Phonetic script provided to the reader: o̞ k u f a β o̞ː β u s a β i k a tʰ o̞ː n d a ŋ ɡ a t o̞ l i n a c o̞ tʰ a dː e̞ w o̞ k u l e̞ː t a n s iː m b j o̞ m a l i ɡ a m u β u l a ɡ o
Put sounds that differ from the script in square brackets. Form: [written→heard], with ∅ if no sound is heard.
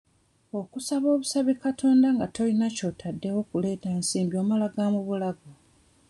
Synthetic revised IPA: o̞ k u [f→s] a β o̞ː β u s a β i k a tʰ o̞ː n d a ŋ ɡ a t o̞ l i n a c o̞ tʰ a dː e̞ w o̞ k u l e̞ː t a n s iː m b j o̞ m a l [i→a] ɡ a m u β u l a ɡ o